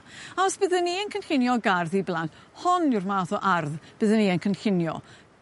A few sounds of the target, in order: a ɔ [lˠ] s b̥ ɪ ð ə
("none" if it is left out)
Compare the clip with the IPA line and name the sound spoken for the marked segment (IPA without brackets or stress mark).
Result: none